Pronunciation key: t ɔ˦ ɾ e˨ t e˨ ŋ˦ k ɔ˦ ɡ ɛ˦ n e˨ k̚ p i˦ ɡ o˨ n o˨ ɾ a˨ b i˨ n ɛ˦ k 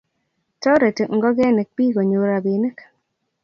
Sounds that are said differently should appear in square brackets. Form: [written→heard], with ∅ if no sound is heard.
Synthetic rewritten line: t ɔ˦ ɾ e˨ t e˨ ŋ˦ [k→ɡ] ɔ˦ ɡ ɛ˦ n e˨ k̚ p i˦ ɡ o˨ [n→ɲ] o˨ ɾ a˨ b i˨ n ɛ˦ k